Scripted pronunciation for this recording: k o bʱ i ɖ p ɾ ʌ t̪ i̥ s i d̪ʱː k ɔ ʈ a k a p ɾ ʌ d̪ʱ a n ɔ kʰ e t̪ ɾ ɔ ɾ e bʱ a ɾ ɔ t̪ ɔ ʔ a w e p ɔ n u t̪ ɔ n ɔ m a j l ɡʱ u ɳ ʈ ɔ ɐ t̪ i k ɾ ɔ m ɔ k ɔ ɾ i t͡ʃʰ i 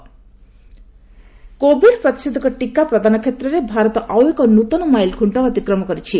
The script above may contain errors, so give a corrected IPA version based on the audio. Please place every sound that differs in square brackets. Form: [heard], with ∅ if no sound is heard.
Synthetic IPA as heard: k o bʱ i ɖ p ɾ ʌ t̪ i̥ s i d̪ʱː k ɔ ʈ [i] k a p ɾ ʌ d̪ʱ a n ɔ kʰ e t̪ ɾ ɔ ɾ e bʱ a ɾ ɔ t̪ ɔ ʔ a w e [k] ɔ n u t̪ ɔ n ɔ m a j l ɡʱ u ɳ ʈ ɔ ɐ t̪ i k ɾ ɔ m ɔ k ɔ ɾ i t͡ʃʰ i

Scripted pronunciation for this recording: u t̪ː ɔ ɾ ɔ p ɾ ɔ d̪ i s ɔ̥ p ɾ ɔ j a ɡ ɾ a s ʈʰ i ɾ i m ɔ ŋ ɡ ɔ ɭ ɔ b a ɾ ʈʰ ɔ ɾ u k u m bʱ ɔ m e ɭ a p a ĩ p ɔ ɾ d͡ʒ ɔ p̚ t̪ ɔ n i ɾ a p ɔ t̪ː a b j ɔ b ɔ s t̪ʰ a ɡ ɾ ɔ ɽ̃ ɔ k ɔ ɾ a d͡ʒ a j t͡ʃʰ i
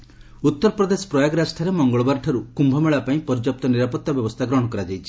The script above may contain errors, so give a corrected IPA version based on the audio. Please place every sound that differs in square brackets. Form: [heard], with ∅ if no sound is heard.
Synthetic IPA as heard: u t̪ː ɔ ɾ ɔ p ɾ ɔ d̪ [e] s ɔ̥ p ɾ ɔ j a ɡ ɾ a s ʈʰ [a] ɾ [e] m ɔ ŋ ɡ ɔ ɭ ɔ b a ɾ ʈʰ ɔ ɾ u k u m bʱ ɔ m e ɭ a p a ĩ p ɔ ɾ d͡ʒ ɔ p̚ t̪ ɔ n i ɾ a p ɔ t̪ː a b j ɔ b ɔ s t̪ʰ a ɡ ɾ ɔ ɽ̃ ɔ k ɔ ɾ a d͡ʒ a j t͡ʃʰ i

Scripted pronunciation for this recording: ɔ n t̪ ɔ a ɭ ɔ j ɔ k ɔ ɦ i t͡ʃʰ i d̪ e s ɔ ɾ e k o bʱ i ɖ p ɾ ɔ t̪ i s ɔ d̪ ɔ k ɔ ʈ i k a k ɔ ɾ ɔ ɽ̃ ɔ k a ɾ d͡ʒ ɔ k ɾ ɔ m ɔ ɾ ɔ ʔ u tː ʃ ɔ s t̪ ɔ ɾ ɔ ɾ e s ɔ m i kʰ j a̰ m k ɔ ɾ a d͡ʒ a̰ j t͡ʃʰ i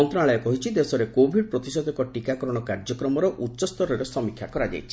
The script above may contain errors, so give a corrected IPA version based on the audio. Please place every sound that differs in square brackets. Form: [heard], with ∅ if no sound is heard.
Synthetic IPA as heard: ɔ n t̪ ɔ a ɭ ɔ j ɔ k ɔ ɦ i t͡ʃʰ i d̪ e s ɔ ɾ e k o bʱ i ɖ p ɾ ɔ t̪ i s ɔ d̪ ɔ k ɔ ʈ i k a k ɔ ɾ ɔ ɽ̃ ɔ k a ɾ d͡ʒ ɔ k ɾ ɔ m ɔ ɾ ɔ ʔ u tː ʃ ɔ s t̪ ɔ ɾ ɔ ɾ e s ɔ m i kʰ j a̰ [∅] k ɔ ɾ a d͡ʒ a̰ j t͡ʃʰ i

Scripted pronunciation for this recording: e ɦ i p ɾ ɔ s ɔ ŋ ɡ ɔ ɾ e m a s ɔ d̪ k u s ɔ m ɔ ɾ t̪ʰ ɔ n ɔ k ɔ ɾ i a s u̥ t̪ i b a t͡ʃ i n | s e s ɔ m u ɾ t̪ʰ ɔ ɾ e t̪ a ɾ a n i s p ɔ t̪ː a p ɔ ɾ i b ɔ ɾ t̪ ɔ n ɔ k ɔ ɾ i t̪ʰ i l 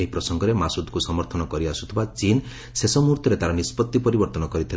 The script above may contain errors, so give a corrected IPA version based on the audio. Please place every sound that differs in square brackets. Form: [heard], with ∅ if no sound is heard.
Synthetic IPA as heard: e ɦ i p ɾ ɔ s ɔ ŋ ɡ ɔ ɾ e m a s [u] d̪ k u s ɔ m ɔ ɾ t̪ʰ ɔ n ɔ k ɔ ɾ i a s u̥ [t̪ʰ] i b a t͡ʃ i n | s e s ɔ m u ɾ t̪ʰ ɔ ɾ e t̪ a ɾ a n i s p ɔ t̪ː [i] p ɔ ɾ i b ɔ ɾ t̪ ɔ n ɔ k ɔ ɾ i t̪ʰ i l

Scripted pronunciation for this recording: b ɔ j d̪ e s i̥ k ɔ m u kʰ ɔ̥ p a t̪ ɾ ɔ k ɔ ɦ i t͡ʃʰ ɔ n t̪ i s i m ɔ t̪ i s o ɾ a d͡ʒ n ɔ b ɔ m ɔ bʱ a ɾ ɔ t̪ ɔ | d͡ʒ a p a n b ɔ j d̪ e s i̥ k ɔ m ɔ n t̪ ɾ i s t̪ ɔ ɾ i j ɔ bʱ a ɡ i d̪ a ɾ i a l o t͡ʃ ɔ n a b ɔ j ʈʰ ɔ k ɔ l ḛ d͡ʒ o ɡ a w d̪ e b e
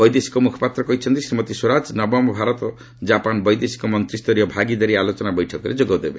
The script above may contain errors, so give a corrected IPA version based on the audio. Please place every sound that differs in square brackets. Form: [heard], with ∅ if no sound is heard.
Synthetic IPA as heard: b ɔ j d̪ e s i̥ k ɔ m u kʰ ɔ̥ p a t̪ ɾ ɔ k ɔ ɦ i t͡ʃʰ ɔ n t̪ i s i m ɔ t̪ i s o ɾ a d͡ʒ n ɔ b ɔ m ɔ bʱ a ɾ ɔ t̪ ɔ | d͡ʒ a p a n b ɔ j d̪ e s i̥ k ɔ m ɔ n t̪ ɾ i s t̪ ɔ ɾ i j ɔ bʱ a ɡ i d̪ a ɾ i a l o t͡ʃ ɔ n a b ɔ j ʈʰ ɔ k ɔ [ɾ] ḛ d͡ʒ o ɡ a w d̪ e b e

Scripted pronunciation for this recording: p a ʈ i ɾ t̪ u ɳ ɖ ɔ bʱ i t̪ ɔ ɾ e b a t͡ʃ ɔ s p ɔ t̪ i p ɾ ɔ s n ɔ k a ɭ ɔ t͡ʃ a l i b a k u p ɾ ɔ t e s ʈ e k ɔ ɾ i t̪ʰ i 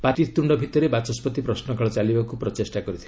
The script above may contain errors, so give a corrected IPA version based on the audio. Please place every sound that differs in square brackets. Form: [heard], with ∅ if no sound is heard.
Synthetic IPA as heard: p a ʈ i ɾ t̪ u ɳ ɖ ɔ bʱ i t̪ ɔ ɾ e b a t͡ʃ ɔ s p ɔ t̪ i p ɾ ɔ s n ɔ k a ɭ ɔ t͡ʃ a l i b a k u p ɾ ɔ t e s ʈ [a] k ɔ ɾ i t̪ʰ i

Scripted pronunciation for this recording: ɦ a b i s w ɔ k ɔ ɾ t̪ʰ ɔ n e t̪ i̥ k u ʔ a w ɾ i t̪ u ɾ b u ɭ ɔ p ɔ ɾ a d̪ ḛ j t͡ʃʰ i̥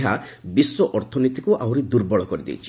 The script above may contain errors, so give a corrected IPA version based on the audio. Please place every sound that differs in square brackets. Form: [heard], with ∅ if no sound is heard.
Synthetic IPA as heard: ɦ a b i s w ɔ [ʔ] ɔ ɾ t̪ʰ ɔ n [i] t̪ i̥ k u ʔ a w ɾ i [d̪] u ɾ b [ɔ] ɭ ɔ [k] ɔ ɾ [i] d̪ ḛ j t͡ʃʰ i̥

